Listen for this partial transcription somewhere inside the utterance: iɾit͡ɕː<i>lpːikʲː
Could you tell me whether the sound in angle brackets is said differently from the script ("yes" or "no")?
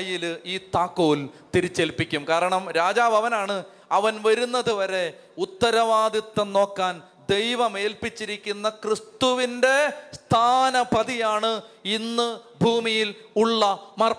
yes